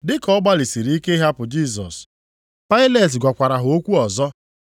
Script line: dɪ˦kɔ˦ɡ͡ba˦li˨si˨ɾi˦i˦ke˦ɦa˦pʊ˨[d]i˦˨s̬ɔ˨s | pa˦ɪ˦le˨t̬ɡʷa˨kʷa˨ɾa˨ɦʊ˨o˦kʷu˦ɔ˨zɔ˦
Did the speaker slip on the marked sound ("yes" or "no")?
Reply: yes